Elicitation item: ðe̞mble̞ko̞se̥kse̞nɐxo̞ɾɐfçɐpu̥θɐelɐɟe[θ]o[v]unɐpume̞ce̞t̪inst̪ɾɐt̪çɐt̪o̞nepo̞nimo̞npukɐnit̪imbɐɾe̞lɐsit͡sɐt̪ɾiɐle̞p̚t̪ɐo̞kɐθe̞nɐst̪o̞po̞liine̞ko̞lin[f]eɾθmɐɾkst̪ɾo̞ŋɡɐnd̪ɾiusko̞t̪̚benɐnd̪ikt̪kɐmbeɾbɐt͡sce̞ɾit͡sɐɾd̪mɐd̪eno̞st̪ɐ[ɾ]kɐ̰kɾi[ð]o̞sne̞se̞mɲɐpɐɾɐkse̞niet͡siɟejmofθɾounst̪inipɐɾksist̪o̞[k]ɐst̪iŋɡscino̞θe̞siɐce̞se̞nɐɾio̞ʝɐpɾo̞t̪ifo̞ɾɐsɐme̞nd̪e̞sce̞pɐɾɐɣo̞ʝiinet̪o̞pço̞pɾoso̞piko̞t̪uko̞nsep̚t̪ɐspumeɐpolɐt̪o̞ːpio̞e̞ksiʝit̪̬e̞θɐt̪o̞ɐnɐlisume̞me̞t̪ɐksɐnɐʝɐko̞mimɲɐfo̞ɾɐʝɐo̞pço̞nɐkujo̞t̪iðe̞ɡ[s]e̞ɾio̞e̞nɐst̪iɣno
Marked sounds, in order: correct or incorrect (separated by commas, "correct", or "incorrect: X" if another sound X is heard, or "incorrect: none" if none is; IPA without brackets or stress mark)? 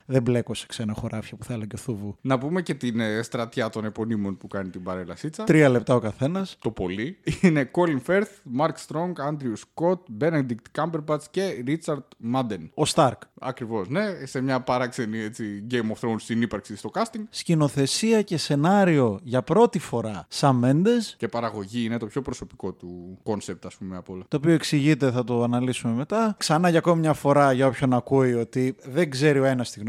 correct, correct, correct, correct, incorrect: v, correct, incorrect: z